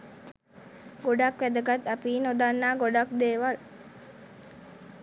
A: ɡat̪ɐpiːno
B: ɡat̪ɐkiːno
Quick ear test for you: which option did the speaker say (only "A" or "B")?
A